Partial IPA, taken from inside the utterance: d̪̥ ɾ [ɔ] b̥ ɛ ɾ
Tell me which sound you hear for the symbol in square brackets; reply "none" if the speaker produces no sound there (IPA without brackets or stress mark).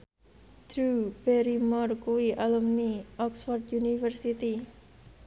u